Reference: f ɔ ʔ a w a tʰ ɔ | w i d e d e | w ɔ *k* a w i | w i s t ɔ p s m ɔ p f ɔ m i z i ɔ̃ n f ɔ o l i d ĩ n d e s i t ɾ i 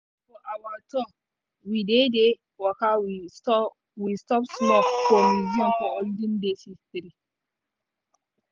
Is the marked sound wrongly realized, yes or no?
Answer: no